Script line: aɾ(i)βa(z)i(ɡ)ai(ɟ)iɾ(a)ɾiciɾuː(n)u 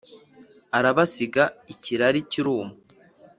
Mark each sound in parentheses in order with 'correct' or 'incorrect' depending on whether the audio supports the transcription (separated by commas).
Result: incorrect, incorrect, correct, incorrect, correct, incorrect